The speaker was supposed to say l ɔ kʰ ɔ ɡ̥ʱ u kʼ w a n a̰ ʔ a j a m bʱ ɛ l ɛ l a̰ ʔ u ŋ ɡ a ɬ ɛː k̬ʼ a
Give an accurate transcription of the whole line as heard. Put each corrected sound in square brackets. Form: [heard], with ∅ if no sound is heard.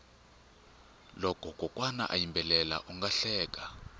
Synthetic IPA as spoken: l ɔ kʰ ɔ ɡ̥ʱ [ɔ] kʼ w a n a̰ ʔ a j [i] m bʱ ɛ l ɛ l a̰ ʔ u ŋ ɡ a ɬ ɛː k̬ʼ a